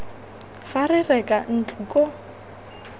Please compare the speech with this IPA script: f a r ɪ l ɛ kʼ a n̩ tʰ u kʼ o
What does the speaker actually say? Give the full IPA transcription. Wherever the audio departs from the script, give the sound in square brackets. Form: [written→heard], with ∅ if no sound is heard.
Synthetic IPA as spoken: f a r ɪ [l→r] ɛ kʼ a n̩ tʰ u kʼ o